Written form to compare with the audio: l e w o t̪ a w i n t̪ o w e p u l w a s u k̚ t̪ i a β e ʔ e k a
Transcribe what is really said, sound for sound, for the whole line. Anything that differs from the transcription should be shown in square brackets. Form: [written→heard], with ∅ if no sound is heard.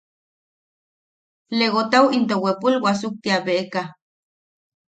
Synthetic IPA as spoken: l e [w→ɣ] o t̪ a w i n t̪ o w e p u l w a s u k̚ t̪ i a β e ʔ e k a